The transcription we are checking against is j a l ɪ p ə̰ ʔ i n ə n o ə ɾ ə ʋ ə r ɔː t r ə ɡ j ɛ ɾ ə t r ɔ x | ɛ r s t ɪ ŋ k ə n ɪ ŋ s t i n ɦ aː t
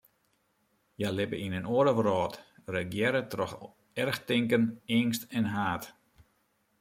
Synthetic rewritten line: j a l ɪ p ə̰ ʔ i n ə n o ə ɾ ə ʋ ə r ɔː t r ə ɡ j ɛ ɾ ə t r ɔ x | ɛ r x t ɪ ŋ k ə n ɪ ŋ s t ɛ n ɦ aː t